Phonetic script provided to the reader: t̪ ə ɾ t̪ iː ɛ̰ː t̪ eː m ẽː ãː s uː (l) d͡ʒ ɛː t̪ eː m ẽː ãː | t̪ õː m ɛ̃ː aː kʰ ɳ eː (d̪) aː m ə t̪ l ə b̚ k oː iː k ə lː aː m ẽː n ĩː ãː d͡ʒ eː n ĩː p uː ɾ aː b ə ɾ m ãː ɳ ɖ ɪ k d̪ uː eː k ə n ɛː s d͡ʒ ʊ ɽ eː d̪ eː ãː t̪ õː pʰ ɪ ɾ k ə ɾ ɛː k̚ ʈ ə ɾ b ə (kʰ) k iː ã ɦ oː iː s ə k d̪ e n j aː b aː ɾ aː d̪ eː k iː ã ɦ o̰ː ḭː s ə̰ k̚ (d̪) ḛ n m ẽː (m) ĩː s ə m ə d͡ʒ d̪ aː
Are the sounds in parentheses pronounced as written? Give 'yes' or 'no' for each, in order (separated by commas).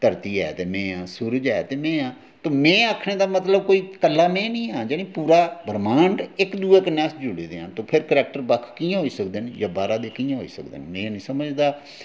no, yes, yes, yes, no